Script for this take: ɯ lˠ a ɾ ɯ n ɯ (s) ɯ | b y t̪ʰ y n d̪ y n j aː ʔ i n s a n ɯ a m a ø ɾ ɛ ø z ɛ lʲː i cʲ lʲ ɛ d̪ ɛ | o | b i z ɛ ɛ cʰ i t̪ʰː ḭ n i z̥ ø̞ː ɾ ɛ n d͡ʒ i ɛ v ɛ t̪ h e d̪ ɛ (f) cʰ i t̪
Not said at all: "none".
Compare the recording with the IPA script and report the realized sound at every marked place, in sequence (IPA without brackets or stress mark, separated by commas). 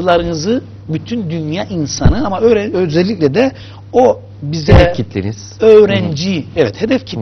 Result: z, f